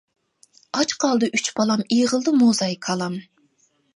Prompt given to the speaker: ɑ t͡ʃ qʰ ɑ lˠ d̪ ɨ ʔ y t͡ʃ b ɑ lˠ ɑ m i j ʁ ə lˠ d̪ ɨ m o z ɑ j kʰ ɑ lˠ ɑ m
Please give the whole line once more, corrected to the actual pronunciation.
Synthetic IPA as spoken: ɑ t͡ʃ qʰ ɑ lˠ d̪ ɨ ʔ y t͡ʃ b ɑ lˠ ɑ m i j ʁ ə lˠ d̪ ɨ m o z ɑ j kʰ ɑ lˠ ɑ m